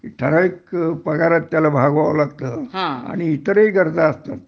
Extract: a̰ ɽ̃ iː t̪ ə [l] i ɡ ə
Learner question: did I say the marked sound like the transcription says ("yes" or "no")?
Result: no